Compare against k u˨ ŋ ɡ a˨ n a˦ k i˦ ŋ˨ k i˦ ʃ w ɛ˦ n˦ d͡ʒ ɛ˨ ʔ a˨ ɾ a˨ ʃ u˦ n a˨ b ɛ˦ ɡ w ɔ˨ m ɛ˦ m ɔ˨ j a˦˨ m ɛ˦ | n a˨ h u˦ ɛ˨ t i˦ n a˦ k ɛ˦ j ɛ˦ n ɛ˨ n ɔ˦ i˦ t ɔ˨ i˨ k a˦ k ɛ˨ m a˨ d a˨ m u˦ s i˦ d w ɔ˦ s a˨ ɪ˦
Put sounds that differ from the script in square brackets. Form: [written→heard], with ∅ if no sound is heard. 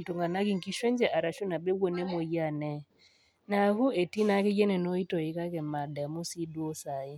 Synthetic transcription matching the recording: [k→t] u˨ ŋ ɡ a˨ n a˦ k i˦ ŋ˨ k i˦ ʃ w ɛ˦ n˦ d͡ʒ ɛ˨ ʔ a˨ ɾ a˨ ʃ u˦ n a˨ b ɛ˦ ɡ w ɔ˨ [m→n] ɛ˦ m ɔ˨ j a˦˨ [m→n] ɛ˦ | n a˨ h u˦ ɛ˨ t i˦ n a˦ k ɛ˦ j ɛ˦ n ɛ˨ n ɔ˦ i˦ t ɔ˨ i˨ k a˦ k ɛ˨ m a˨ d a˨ m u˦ s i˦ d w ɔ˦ s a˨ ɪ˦